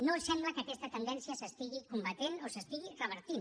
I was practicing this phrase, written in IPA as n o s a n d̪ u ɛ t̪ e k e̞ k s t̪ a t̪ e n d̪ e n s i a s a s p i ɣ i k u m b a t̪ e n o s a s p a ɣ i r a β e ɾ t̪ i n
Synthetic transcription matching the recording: n o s a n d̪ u a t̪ a k e̞ s t̪ a t̪ e n d̪ e n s i a s a s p i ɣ i k u m b a t̪ e n o s a s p i ɣ i r a β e ɾ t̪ i n